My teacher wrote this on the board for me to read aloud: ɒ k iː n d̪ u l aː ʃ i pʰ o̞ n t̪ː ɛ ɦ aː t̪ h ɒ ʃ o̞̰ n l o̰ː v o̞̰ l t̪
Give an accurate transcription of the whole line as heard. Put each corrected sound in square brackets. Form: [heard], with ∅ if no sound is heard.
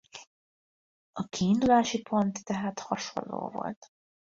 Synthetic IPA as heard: ɒ k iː n d̪ u l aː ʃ i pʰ o̞ n t̪ː ɛ ɦ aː t̪ h ɒ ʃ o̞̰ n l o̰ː v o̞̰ l t̪